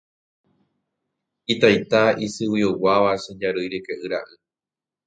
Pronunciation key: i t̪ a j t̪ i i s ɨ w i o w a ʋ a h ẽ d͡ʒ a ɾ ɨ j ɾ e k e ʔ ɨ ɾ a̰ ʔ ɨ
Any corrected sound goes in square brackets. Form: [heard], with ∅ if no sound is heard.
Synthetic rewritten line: i t̪ a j t̪ [a] i s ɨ w i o w a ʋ a [ʃ] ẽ d͡ʒ a ɾ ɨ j ɾ e k e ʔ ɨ ɾ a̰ ʔ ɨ